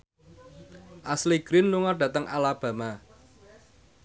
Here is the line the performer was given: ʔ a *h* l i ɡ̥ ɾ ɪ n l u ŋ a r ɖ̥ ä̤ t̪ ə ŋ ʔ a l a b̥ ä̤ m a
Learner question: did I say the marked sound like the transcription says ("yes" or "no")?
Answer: no